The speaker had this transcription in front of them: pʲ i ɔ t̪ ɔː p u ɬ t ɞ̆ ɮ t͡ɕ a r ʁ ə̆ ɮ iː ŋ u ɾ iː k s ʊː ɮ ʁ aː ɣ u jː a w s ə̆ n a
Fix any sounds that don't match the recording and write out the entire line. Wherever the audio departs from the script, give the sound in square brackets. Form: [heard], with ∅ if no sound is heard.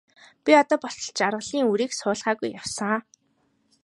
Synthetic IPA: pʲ i ɔ t̪ ɔː p [ɔ] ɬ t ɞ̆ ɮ t͡ɕ a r ʁ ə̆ ɮ iː ŋ u ɾ iː k s ʊː ɮ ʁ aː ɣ u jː a w s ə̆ [ŋ] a